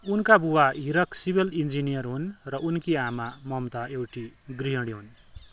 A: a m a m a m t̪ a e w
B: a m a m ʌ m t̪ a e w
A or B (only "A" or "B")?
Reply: B